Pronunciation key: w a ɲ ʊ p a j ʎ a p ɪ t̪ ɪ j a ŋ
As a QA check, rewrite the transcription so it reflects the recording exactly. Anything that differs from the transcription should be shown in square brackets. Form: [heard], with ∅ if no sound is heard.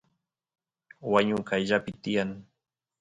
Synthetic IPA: w a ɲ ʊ [k] a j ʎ a p ɪ t̪ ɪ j a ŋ